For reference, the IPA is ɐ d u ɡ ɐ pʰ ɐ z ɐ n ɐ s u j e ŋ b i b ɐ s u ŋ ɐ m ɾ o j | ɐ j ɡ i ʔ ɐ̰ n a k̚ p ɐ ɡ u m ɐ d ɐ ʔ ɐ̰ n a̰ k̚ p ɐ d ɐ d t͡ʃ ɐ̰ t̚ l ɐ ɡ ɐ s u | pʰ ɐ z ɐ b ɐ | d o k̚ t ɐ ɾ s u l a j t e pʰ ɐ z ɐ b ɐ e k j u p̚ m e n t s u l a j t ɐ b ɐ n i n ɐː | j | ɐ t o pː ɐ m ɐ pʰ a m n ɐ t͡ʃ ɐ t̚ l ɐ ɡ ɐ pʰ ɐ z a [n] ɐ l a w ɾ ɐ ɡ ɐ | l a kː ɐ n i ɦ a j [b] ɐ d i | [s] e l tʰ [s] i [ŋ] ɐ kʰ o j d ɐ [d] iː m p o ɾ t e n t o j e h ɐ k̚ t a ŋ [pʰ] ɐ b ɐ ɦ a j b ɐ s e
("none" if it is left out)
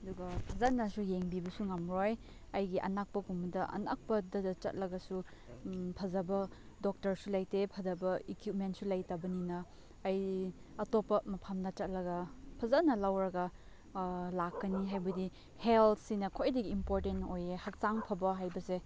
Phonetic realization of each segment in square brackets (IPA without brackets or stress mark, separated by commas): n, b, h, s, n, ɡ, pʰ